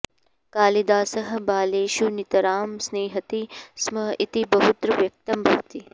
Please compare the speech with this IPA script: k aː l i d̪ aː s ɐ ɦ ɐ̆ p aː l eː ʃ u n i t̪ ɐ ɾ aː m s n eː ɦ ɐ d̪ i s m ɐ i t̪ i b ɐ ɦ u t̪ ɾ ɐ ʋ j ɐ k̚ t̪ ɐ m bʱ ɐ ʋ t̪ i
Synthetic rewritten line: k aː l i d̪ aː s ɐ ɦ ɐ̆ b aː l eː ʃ u n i t̪ ɐ ɾ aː m s n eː ɦ ɐ t̪ i s m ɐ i t̪ i b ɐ ɦ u t̪ ɾ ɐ ʋ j ɐ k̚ t̪ ɐ m bʱ ɐ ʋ t̪ i